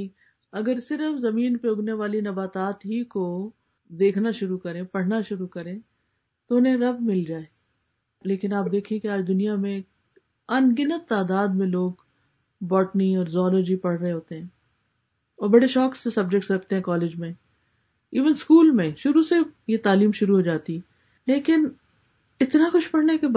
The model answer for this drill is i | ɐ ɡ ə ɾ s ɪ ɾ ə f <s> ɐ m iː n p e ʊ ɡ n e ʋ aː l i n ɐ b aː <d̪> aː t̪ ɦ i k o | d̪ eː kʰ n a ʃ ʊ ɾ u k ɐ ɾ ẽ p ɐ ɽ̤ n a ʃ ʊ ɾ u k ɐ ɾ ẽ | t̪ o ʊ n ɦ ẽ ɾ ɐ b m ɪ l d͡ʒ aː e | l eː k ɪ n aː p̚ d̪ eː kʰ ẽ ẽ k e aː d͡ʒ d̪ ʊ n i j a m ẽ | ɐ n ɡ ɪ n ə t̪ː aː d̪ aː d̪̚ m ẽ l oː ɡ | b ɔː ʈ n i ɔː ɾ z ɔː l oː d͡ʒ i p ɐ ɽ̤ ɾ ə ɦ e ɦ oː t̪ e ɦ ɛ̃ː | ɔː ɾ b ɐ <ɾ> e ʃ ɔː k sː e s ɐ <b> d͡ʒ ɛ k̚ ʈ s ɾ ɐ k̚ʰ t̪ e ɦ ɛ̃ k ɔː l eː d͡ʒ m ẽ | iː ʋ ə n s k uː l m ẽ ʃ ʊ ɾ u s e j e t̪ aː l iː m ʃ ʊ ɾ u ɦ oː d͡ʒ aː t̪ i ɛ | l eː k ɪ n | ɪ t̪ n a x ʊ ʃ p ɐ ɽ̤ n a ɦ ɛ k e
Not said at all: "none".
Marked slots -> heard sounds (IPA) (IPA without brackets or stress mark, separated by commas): z, t̪, ɽ, b